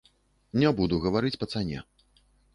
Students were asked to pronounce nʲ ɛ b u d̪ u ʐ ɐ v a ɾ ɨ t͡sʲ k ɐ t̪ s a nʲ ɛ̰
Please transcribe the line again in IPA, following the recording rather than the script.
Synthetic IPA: nʲ ɛ b u d̪ u ɣ ɐ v a ɾ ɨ t͡sʲ p ɐ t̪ s a nʲ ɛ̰